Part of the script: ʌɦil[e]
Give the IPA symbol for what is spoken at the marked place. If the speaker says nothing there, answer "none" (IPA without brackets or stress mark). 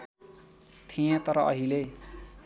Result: e